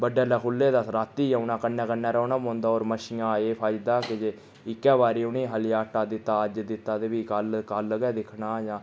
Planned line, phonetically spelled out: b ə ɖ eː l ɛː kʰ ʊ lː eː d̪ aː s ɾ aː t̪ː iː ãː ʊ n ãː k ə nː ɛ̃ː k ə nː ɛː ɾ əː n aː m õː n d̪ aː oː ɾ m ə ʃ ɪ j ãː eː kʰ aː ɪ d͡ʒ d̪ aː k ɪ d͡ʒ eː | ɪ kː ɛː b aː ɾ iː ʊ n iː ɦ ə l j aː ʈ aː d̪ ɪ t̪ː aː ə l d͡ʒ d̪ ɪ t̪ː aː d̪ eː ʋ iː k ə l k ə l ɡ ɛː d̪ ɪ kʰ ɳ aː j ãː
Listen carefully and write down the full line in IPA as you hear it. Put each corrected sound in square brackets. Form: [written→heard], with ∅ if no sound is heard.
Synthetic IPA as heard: b ə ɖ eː l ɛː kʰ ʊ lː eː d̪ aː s ɾ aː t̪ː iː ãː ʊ n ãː k ə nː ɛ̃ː k ə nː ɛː ɾ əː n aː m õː n d̪ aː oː ɾ m ə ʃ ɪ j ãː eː [kʰ→pʰ] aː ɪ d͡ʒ d̪ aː k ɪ d͡ʒ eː | ɪ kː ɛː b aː ɾ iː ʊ n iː ɦ ə l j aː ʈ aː d̪ ɪ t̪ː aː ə [l→∅] d͡ʒ d̪ ɪ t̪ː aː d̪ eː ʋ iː k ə l k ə l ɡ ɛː d̪ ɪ kʰ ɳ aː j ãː